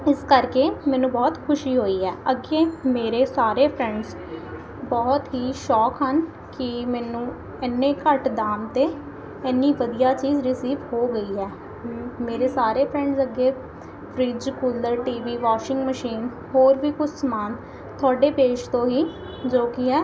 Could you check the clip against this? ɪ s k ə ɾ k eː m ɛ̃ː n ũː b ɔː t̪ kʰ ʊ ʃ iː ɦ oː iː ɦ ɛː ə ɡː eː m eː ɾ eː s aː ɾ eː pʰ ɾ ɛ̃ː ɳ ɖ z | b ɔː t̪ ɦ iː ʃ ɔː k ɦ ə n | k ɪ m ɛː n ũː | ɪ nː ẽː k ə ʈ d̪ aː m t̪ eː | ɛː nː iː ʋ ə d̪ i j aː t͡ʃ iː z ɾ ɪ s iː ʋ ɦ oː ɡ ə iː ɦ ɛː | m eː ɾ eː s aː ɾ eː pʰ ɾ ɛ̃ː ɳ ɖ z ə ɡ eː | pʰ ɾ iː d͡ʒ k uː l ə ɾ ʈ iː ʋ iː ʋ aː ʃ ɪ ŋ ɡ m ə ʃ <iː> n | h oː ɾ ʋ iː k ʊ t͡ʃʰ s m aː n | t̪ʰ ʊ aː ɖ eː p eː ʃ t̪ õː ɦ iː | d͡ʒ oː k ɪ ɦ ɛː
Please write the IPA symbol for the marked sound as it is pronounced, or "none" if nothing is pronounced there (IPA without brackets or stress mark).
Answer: iː